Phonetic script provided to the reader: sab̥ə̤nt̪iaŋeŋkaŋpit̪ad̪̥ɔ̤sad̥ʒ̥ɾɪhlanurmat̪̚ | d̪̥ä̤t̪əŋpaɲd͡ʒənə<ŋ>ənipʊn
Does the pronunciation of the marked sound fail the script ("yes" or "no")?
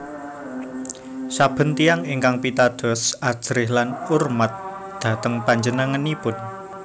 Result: no